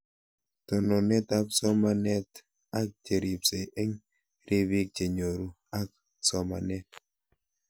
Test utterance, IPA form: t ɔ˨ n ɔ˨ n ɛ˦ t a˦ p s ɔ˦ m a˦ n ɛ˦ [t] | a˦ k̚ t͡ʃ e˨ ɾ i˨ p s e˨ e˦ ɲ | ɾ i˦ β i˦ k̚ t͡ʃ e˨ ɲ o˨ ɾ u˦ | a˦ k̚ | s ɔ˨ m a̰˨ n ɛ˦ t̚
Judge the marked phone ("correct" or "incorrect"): correct